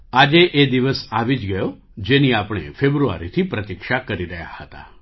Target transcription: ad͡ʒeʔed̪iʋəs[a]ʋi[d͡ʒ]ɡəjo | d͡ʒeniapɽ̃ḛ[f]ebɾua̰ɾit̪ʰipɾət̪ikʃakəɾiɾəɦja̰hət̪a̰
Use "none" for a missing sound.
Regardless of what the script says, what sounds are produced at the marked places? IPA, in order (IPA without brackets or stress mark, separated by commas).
a, d͡ʒ, f